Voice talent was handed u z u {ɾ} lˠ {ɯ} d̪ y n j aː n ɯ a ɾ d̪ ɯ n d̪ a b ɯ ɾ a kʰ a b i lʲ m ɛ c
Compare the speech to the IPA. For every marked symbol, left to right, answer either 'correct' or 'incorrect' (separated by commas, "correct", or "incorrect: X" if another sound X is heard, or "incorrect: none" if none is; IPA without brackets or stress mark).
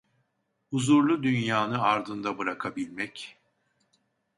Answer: correct, incorrect: u